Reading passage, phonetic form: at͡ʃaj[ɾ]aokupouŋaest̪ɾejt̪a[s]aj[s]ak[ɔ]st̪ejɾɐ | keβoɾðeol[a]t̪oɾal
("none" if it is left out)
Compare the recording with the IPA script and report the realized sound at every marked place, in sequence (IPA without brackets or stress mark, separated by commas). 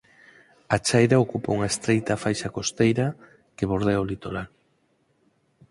ɾ, f, ʃ, o, i